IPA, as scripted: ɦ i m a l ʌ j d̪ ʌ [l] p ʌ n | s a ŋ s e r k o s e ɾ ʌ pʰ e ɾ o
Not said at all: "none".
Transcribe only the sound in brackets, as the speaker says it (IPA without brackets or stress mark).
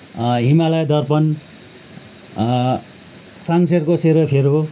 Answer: r